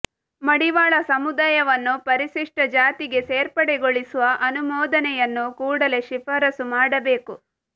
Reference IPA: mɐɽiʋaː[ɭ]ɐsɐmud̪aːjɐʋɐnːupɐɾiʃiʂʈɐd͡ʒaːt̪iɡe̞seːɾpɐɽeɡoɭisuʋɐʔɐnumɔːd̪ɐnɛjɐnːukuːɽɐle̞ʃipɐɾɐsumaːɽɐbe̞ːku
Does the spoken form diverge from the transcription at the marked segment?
no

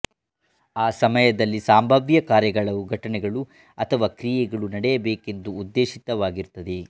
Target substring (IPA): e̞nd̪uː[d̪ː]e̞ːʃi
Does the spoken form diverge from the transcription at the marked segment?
no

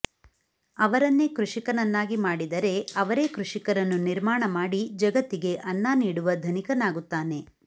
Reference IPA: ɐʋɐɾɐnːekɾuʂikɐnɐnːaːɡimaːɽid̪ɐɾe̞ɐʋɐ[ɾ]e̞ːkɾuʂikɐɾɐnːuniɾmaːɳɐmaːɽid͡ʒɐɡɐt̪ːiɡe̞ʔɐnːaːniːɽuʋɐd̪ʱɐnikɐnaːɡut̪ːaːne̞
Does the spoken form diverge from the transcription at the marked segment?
no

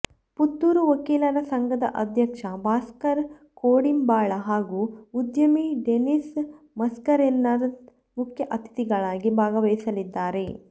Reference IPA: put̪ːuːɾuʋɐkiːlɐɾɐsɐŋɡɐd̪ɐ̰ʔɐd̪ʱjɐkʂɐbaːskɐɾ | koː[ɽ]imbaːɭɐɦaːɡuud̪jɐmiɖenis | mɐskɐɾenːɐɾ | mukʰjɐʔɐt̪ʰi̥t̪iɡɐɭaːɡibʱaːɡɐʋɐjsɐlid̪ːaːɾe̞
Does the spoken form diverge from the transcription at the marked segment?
no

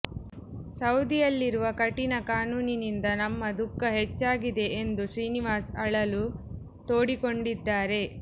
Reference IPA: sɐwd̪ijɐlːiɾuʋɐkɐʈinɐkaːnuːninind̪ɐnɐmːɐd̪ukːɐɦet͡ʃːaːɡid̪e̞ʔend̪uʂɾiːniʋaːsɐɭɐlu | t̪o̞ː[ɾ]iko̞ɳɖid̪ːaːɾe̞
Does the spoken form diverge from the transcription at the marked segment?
yes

